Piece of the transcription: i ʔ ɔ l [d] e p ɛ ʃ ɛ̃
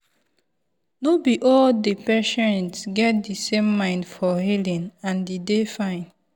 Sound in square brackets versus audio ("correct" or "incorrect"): correct